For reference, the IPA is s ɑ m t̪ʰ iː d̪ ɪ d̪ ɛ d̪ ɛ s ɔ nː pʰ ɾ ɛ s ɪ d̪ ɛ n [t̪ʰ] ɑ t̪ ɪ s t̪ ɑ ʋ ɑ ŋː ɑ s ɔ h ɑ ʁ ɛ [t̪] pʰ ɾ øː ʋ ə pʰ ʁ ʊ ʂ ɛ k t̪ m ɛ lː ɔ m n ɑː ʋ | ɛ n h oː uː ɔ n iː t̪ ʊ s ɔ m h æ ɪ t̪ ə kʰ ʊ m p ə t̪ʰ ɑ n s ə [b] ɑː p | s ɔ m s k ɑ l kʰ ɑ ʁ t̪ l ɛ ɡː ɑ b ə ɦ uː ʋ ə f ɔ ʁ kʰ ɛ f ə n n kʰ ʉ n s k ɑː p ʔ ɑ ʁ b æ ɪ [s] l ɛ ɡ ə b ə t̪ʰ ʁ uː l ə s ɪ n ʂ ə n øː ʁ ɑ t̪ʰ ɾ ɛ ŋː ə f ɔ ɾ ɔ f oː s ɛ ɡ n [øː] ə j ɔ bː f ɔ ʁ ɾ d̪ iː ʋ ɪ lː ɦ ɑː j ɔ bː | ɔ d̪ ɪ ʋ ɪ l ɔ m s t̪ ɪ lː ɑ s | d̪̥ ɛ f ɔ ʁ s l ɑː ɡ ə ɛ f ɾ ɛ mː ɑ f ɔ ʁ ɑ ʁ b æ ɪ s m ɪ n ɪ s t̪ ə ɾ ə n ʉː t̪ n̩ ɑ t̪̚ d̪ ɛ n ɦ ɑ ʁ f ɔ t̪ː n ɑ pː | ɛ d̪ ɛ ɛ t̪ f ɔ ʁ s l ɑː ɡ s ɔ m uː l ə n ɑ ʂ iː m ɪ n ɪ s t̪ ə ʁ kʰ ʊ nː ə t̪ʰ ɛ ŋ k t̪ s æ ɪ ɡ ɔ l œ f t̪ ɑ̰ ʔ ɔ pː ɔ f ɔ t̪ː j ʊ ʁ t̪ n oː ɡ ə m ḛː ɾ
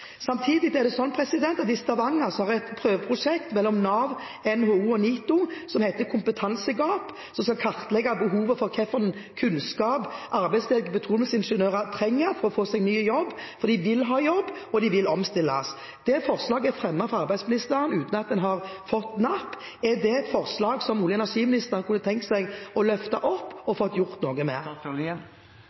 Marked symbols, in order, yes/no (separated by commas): no, yes, no, yes, no